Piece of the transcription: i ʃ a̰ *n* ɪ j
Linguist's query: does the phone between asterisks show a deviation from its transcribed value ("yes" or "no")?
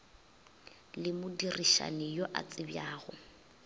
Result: no